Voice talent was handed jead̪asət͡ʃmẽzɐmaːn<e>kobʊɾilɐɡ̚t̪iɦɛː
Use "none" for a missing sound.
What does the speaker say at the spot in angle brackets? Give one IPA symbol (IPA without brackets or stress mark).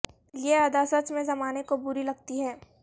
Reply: e